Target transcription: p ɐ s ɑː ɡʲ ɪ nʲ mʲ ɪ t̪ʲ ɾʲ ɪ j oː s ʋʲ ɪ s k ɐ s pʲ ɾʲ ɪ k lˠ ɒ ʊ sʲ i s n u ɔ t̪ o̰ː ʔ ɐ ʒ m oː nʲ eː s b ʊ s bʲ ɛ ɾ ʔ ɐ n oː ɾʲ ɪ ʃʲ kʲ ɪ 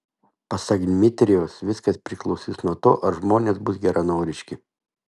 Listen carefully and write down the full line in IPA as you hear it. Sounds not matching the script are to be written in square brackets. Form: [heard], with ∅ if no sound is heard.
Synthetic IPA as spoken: p ɐ s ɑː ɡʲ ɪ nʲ mʲ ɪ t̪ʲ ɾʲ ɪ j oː s ʋʲ ɪ s k ɐ s pʲ ɾʲ ɪ k lˠ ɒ ʊ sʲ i s n u ɔ t̪ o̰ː ʔ ɐ ʒ m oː nʲ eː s b ʊ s [ɡʲ] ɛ ɾ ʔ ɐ n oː ɾʲ ɪ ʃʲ kʲ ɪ

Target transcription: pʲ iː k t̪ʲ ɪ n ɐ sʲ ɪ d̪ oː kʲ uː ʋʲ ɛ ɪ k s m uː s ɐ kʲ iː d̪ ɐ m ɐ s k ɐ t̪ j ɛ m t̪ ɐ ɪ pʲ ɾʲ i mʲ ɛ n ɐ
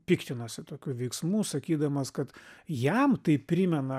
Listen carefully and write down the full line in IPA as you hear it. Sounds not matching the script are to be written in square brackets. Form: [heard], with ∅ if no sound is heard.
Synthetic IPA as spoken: pʲ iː k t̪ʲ ɪ n ɐ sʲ ɪ [t̪] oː kʲ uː ʋʲ ɛ ɪ k s m uː s ɐ kʲ iː d̪ ɐ m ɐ s k ɐ t̪ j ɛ m t̪ ɐ ɪ pʲ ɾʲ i mʲ ɛ n ɐ

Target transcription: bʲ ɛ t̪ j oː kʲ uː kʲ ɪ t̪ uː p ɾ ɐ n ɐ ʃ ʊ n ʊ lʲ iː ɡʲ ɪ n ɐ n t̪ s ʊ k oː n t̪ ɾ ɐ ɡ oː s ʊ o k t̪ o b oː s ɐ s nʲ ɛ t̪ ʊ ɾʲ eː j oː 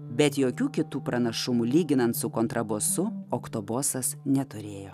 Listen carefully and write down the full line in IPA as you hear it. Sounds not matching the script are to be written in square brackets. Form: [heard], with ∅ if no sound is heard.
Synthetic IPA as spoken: bʲ ɛ t̪ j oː kʲ uː kʲ ɪ t̪ uː p ɾ ɐ n ɐ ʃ ʊ [m] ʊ lʲ iː ɡʲ ɪ n ɐ n t̪ s ʊ k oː n t̪ ɾ ɐ [b] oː s ʊ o k t̪ o b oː s ɐ s nʲ ɛ t̪ ʊ ɾʲ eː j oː

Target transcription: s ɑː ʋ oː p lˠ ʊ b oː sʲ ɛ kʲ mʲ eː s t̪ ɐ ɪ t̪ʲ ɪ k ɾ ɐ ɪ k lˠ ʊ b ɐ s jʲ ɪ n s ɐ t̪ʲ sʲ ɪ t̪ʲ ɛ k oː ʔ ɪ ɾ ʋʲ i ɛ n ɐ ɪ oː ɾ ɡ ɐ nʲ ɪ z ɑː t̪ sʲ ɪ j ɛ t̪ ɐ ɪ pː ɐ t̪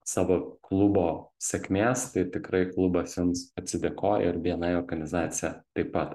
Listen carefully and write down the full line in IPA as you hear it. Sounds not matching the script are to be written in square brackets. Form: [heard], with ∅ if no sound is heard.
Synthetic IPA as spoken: s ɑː ʋ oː [k] lˠ ʊ b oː sʲ ɛ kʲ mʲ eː s t̪ ɐ ɪ t̪ʲ ɪ k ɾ ɐ ɪ k lˠ ʊ b ɐ s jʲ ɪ n s ɐ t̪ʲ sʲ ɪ [d̪ʲ] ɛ k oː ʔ ɪ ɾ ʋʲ i ɛ n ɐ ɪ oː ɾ ɡ ɐ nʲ ɪ z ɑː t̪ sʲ ɪ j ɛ t̪ ɐ ɪ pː ɐ t̪

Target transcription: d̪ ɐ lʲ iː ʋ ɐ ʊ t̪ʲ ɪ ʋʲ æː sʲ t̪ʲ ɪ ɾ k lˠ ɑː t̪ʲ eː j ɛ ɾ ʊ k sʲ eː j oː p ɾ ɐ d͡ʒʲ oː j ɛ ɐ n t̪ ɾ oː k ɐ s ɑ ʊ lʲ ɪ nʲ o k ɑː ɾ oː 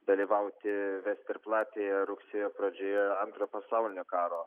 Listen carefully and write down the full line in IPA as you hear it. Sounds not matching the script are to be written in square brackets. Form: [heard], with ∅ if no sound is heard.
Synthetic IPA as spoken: d̪ ɐ lʲ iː ʋ ɐ ʊ t̪ʲ ɪ ʋʲ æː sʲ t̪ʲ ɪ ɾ [p] lˠ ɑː t̪ʲ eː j ɛ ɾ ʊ k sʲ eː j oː p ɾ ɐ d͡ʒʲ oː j ɛ ɐ n t̪ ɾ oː [p] ɐ s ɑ ʊ lʲ ɪ nʲ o k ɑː ɾ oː

